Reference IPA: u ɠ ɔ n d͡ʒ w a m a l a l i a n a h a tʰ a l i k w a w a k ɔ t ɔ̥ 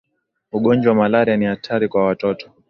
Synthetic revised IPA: u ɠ ɔ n d͡ʒ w a m a l a ɾ i a n i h a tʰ a ɾ i k w a w a t ɔ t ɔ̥